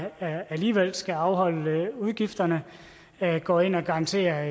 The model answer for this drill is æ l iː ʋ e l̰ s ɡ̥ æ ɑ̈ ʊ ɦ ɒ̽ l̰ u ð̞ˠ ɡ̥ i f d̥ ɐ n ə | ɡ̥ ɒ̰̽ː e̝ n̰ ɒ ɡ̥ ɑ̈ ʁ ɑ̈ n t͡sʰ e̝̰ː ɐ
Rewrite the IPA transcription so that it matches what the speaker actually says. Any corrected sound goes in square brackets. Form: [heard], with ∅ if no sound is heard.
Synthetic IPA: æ l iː ʋ e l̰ s ɡ̥ æ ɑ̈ ʊ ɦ ɒ̽ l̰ u ð̞ˠ ɡ̥ i f d̥ ɐ n ə | ɡ̥ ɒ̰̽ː e̝ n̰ ɒ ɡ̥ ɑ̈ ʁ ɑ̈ n t͡sʰ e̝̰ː ɐ